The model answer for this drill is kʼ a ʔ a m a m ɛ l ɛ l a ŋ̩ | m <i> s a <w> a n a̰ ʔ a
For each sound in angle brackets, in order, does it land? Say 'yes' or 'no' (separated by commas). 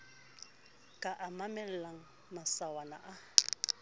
no, yes